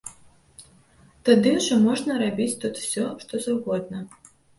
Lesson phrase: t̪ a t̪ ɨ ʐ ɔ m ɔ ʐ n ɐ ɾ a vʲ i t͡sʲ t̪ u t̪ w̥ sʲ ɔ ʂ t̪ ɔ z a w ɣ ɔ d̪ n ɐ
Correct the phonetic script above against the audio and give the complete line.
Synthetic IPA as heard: t̪ a d̪ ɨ ʐ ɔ m ɔ ʐ n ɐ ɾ a bʲ i t͡sʲ t̪ u t̪ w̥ sʲ ɔ ʂ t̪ ɔ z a w ɣ ɔ d̪ n ɐ